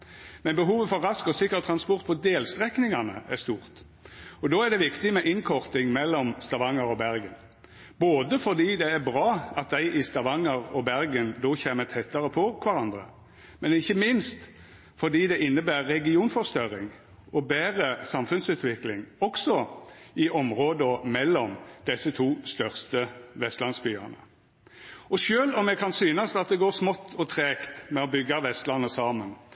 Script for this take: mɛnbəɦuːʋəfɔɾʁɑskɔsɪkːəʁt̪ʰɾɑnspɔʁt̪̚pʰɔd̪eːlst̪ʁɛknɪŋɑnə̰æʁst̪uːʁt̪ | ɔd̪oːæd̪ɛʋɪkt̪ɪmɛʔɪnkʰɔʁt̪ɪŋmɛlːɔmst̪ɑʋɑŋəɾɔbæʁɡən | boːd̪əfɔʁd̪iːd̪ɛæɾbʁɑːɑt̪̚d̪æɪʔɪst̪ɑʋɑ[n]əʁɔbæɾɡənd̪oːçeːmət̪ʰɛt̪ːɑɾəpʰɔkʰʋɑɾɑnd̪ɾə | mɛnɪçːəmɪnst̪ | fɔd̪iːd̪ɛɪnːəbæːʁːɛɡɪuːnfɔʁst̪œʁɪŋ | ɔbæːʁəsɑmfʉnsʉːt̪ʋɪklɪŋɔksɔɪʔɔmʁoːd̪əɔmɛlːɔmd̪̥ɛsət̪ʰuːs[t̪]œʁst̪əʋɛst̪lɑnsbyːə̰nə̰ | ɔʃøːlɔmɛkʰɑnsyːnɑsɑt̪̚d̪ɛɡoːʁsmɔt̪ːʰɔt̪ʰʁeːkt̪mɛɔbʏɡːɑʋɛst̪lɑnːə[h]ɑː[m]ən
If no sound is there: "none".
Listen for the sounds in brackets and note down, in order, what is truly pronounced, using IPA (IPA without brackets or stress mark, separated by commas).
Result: ŋ, t̪, s, m